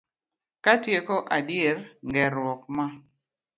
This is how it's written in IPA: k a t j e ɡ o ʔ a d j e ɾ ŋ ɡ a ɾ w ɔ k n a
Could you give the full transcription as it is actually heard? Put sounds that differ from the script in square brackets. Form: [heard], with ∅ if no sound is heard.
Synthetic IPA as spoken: k a t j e [k] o ʔ a d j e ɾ ŋ ɡ [ɛ] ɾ w ɔ k [m] a